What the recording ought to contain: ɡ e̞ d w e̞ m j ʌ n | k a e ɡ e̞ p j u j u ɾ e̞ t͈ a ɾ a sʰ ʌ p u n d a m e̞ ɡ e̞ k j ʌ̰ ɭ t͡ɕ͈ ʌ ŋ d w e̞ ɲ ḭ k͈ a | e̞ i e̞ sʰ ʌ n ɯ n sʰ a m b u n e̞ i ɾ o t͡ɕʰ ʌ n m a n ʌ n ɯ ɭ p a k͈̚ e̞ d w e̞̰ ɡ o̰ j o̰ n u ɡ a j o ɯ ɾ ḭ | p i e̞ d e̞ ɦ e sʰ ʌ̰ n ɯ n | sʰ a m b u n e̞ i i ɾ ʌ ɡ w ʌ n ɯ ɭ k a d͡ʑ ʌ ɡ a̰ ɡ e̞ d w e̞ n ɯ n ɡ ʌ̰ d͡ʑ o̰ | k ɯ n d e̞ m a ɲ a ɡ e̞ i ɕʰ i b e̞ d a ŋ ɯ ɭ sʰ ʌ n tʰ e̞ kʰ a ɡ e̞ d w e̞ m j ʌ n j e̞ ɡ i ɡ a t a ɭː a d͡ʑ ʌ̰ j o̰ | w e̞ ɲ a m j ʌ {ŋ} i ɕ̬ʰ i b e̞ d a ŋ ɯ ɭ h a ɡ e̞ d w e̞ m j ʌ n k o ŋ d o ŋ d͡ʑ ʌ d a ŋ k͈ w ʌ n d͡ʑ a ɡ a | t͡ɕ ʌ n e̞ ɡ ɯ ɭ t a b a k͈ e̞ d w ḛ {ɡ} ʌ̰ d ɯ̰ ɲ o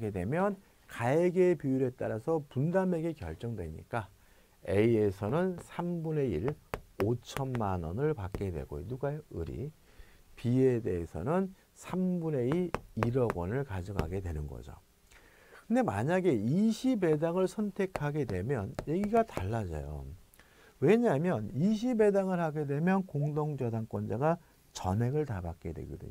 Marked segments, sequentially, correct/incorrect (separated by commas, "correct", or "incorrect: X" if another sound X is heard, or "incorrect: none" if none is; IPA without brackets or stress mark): incorrect: n, correct